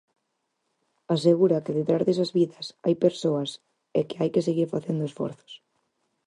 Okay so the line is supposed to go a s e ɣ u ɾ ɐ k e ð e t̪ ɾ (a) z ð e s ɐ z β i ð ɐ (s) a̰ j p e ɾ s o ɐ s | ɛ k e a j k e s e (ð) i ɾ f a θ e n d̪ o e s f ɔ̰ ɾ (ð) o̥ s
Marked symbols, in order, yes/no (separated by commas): yes, yes, no, no